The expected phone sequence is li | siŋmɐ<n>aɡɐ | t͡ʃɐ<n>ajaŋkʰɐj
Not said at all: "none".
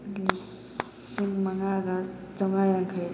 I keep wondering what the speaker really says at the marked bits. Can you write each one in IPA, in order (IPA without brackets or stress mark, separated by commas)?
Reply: ŋ, ŋ